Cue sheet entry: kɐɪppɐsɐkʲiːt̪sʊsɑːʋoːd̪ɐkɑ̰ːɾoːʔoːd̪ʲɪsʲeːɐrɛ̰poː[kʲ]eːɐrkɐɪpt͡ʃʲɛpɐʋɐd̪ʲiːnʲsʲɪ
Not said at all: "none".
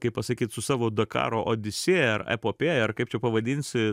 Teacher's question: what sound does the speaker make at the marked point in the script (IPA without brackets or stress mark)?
pʲ